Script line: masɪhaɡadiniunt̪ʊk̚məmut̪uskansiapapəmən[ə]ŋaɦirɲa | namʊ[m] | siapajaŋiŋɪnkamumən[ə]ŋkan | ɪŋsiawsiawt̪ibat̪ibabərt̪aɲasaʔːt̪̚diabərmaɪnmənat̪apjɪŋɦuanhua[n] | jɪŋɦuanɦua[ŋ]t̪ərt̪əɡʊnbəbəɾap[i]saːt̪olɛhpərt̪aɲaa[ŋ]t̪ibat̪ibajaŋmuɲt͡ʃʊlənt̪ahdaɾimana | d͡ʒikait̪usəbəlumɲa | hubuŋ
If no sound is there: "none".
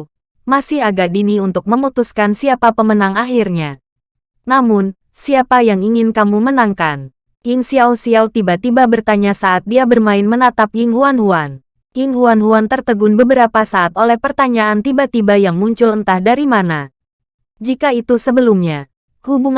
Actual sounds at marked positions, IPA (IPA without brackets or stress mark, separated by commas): a, n, a, n, n, a, n